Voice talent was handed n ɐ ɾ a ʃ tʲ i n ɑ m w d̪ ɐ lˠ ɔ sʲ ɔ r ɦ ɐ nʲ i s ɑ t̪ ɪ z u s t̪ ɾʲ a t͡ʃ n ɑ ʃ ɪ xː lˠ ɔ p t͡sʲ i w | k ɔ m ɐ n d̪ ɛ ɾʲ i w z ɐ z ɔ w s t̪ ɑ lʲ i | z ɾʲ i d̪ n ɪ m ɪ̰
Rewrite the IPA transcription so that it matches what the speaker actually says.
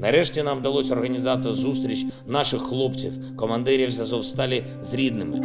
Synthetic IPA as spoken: n ɐ ɾ ɛ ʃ tʲ i n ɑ m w d̪ ɐ lˠ ɔ sʲ ɔ r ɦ ɐ nʲ i z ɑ t̪ ɪ z u s t̪ ɾʲ i t͡ʃ n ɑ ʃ ɪ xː lˠ ɔ p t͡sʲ i w | k ɔ m ɐ n d̪ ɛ ɾʲ i w z ɐ z ɔ w s t̪ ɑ lʲ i | z ɾʲ i d̪ n ɪ m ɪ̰